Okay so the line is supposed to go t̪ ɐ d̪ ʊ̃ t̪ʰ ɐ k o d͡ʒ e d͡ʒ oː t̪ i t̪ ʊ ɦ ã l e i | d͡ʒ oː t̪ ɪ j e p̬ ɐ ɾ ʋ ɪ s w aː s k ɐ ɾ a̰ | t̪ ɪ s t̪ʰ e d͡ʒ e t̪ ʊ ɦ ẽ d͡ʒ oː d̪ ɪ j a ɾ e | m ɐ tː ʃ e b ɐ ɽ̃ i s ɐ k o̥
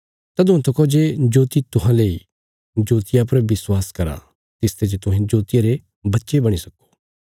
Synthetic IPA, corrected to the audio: t̪ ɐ d̪ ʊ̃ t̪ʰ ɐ k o d͡ʒ e d͡ʒ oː t̪ i t̪ ʊ ɦ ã l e i | d͡ʒ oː t̪ ɪ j a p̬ ɐ ɾ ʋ ɪ s w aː s k ɐ ɾ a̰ | t̪ ɪ s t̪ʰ e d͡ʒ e t̪ ʊ ɦ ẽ d͡ʒ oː t̪ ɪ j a ɾ e | b ɐ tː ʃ e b ɐ ɽ̃ i s ɐ k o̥

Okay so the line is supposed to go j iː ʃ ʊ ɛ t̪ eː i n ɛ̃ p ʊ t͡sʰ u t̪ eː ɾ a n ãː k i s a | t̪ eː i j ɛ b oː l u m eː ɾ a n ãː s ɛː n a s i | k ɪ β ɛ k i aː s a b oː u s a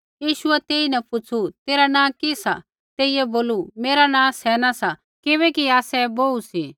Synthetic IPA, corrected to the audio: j iː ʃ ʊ ɛ t̪ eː i n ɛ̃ p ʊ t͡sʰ u t̪ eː ɾ a n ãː k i s a | t̪ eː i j ɛ b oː l u m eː ɾ a n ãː s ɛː n a s a | k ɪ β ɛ k i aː s ɛ b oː u s i

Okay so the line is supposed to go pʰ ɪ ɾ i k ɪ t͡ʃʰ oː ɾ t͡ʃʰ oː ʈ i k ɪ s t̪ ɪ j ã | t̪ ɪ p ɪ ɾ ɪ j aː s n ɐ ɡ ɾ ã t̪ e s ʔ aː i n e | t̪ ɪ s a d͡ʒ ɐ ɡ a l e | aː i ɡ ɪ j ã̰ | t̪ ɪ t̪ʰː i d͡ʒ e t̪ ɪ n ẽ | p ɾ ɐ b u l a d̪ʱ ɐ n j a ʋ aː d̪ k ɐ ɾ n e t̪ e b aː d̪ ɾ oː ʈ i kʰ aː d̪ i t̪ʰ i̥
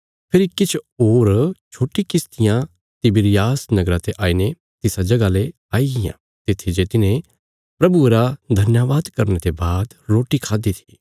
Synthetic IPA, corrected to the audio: pʰ ɪ ɾ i k ɪ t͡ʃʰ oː ɾ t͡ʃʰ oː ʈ i k ɪ s t̪ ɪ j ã | t̪ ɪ b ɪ ɾ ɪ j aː s n ɐ ɡ ɾ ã t̪ e ʔ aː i n e | t̪ ɪ s a d͡ʒ ɐ ɡ a l e | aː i ɡ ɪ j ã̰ | t̪ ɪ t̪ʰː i d͡ʒ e t̪ ɪ n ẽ | p ɾ ɐ b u ɾ a d̪ʱ ɐ n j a ʋ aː d̪ k ɐ ɾ n e t̪ e b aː d̪ ɾ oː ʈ i kʰ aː d̪ i t̪ʰ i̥

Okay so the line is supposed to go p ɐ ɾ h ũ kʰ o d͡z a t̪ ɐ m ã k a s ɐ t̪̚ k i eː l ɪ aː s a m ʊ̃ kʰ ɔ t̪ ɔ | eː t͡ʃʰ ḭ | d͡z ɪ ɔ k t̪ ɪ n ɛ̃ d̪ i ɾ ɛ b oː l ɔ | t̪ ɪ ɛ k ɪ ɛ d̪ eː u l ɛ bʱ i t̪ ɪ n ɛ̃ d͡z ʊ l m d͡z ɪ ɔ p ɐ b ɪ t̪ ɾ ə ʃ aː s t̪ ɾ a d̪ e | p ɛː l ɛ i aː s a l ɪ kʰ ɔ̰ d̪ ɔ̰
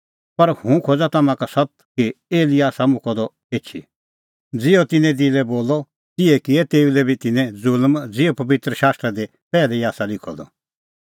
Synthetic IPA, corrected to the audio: p ɐ ɾ h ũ kʰ o d͡z a t̪ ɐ m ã k a s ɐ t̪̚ k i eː l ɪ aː s a m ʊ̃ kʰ ɔ d̪ ɔ | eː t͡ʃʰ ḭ | d͡z ɪ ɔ t̪ ɪ n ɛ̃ d̪ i l ɛ b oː l ɔ | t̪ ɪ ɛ k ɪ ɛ t̪ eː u l ɛ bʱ i t̪ ɪ n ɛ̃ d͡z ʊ l m d͡z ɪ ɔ p ɐ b ɪ t̪ ɾ ə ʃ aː s t̪ ɾ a d̪ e | p ɛː l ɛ i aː s a l ɪ kʰ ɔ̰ d̪ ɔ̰

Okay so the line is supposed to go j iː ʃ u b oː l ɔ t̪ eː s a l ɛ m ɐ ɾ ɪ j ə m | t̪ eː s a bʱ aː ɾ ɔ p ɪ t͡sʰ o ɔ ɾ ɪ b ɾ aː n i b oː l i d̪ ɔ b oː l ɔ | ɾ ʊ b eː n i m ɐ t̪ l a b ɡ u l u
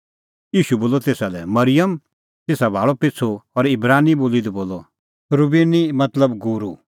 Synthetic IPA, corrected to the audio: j iː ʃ u b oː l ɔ t̪ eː s a l ɛ m ɐ ɾ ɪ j ə m | t̪ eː s a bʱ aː ɭ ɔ p ɪ t͡sʰ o ɔ ɾ ɪ b ɾ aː n i b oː l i d̪ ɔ b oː l ɔ | ɾ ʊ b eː n i m ɐ t̪ l ə b ɡ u ɾ u

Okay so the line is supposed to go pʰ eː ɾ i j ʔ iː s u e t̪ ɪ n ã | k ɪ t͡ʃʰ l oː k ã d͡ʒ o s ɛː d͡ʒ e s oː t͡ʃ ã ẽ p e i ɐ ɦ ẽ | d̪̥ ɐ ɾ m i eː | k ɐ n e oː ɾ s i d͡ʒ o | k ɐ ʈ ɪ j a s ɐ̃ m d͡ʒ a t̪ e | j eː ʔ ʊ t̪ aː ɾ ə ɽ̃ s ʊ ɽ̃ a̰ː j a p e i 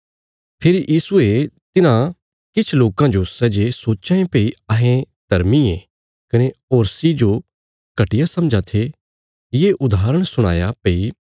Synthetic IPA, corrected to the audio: pʰ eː ɾ i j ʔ iː s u e t̪ ɪ n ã | k ɪ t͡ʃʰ l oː k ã d͡ʒ o s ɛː d͡ʒ e s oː t͡ʃ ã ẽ p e i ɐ ɦ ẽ | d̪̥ ɐ ɾ m i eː | k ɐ n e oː ɾ s i d͡ʒ o | k ɐ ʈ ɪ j a s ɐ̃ m d͡ʒ a t̪ʰ e | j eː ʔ ʊ d̪ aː ɾ ə ɽ̃ s ʊ ɽ̃ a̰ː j a p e i

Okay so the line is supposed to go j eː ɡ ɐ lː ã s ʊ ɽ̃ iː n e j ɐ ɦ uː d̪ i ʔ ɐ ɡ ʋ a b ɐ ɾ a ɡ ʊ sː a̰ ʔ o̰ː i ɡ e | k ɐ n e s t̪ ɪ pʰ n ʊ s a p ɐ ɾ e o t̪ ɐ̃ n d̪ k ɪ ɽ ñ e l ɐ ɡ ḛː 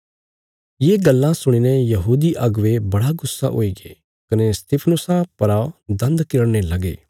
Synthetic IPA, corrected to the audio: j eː ɡ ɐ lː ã s ʊ ɽ̃ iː n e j ɐ ɦ uː d̪ i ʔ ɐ ɡ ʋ e b ɐ ɽ a ɡ ʊ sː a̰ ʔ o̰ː i ɡ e | k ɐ n e s t̪ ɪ pʰ n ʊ s a p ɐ ɾ a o d̪ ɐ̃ n d̪ k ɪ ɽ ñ e l ɐ ɡ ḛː

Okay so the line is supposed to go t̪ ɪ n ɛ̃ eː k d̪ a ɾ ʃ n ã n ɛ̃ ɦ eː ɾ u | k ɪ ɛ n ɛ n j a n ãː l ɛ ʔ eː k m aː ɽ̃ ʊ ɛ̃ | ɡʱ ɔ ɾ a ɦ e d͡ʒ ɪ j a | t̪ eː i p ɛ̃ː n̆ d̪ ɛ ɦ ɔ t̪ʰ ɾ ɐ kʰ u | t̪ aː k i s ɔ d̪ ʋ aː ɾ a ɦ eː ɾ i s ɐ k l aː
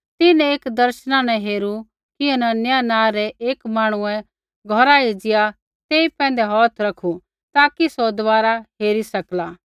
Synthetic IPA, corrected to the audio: t̪ ɪ n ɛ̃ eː k d̪ ɐ ɾ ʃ n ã n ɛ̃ ɦ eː ɾ u | k ɪ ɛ n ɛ n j a n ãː ɾ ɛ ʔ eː k m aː ɽ̃ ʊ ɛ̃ | ɡʱ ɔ ɾ a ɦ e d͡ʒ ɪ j a | t̪ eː i p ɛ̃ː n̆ d̪ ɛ ɦ ɔː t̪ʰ ɾ ɐ kʰ u | t̪ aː k i s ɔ d̪ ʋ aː ɾ a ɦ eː ɾ i s ɐ k l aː

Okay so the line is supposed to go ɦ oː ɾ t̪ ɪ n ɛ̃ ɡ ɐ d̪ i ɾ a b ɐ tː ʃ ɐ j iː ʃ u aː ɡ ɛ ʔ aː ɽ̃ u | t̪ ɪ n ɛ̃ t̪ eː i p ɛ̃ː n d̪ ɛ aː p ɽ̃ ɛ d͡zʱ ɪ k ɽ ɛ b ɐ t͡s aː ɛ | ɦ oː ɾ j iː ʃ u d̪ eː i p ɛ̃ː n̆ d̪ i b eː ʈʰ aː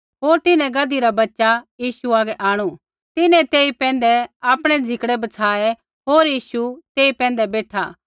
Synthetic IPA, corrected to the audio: ɦ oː ɾ t̪ ɪ n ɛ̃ ɡ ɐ d̪ i ɾ a b ɐ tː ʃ a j iː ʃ u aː ɡ ɛ ʔ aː ɽ̃ u | t̪ ɪ n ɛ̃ t̪ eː i p ɛ̃ː n d̪ ɛ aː p ɽ̃ ɛ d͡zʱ ɪ k ɽ ɛ b ɐ t͡sʰ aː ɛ | ɦ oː ɾ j iː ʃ u t̪ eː i p ɛ̃ː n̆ d̪ ɛ b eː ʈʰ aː

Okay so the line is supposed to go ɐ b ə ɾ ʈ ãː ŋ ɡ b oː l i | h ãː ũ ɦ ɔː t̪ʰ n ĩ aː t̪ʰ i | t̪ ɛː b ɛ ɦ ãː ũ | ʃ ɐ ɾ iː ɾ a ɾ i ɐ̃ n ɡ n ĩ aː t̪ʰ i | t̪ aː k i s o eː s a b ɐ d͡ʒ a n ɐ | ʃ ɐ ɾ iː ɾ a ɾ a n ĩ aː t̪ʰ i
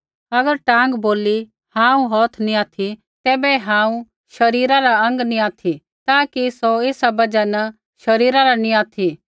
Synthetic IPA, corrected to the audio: ɐ ɡ ə ɾ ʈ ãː ŋ ɡ b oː l i | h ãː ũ ɦ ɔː t̪ʰ n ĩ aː t̪ʰ i | t̪ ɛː b ɛ ɦ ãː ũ | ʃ ɐ ɾ iː ɾ a ɾ a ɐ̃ ŋ ɡ n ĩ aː t̪ʰ i | t̪ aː k i s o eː s a b ɐ d͡ʒ a n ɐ | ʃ ɐ ɾ iː ɾ a ɾ a n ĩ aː t̪ʰ i

